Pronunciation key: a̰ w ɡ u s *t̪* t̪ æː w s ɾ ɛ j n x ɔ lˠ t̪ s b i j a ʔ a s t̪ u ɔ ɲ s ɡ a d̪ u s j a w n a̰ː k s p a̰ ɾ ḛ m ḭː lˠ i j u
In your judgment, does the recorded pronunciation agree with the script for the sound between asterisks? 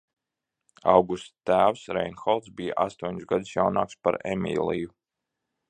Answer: yes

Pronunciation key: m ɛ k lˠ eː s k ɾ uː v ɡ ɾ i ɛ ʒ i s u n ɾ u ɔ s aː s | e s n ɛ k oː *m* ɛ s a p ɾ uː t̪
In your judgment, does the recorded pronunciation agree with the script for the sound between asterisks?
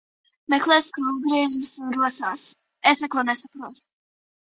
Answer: no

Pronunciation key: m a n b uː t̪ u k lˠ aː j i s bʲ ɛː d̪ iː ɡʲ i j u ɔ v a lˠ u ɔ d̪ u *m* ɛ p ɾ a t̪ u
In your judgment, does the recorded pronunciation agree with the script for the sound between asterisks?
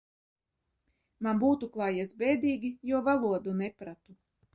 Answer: no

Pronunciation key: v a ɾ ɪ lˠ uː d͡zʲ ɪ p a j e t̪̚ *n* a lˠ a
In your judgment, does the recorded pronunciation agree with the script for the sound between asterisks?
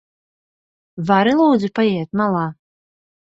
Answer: no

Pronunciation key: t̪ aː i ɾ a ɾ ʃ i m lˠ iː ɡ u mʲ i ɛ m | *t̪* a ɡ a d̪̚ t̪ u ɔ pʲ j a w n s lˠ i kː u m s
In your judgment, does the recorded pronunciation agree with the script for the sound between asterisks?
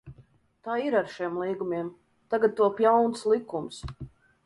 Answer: yes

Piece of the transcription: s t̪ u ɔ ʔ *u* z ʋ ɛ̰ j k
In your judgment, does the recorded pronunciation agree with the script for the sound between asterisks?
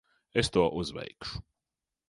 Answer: yes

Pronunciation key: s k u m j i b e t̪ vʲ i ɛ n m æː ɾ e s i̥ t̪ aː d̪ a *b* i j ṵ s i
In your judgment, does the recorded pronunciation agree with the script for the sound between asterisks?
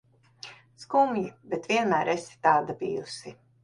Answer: yes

